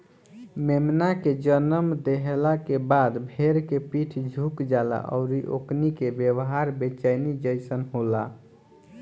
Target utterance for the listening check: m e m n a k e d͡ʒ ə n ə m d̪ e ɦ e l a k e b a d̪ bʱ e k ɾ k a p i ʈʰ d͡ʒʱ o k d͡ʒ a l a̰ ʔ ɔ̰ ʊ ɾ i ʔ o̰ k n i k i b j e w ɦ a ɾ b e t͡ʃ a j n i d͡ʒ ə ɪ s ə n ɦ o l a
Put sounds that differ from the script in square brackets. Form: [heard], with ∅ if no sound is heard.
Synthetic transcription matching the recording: m e m n a k e d͡ʒ ə n ə m d̪ e ɦ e l a k e b a d̪ bʱ e [∅] ɾ k [e] p i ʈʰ d͡ʒʱ [u] k d͡ʒ a l a̰ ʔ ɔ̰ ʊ ɾ i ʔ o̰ k n i k [e] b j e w ɦ a ɾ b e t͡ʃ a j n i d͡ʒ ə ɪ s ə n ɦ o l a

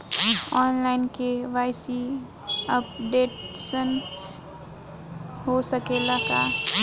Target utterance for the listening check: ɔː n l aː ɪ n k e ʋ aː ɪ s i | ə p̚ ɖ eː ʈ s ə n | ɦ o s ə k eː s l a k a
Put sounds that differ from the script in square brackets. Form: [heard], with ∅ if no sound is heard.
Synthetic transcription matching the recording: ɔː n l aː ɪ n k e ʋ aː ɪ s i | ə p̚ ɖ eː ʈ s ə n | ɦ o s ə k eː [∅] l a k a

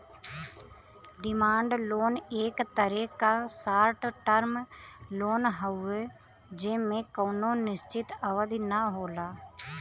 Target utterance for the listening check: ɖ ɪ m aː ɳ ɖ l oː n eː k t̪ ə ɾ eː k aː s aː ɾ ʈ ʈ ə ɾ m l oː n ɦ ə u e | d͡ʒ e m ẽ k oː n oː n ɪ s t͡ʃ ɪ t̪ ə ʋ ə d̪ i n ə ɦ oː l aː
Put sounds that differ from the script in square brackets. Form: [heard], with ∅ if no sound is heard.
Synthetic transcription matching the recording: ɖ ɪ m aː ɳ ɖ l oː n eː k t̪ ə ɾ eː k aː s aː ɾ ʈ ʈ ə ɾ m l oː n ɦ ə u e | d͡ʒ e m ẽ k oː n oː n ɪ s t͡ʃ ɪ t̪ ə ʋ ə d̪ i n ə ɦ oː l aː

